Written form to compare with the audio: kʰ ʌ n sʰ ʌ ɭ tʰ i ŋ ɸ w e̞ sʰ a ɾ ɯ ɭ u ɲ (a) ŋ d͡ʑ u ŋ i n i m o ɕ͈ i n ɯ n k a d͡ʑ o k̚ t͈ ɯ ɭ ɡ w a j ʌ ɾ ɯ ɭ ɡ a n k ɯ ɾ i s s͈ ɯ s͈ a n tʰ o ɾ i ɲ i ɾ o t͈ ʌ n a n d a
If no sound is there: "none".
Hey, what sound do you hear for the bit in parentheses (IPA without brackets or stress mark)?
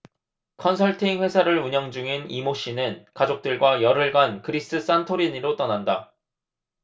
ʌ